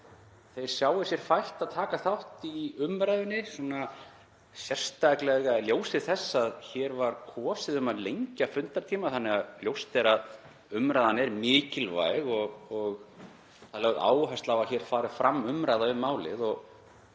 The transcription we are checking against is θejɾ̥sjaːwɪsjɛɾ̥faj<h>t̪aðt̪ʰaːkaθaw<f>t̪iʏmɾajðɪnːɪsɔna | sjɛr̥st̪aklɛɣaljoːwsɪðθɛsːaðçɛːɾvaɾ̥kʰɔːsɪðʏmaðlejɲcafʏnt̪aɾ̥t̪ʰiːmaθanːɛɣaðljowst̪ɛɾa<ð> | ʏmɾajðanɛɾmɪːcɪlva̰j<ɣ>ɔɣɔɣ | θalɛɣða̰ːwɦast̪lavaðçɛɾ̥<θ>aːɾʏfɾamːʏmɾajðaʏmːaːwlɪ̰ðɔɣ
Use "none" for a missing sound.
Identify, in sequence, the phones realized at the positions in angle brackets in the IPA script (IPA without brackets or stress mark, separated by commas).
h, h, ð, ɣ, f